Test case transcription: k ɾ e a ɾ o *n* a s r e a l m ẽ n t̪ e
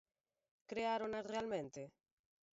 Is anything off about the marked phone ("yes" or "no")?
no